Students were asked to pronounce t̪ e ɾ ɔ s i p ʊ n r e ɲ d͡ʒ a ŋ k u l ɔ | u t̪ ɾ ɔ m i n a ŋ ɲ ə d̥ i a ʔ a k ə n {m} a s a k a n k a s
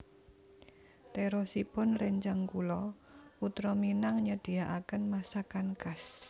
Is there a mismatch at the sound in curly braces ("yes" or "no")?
no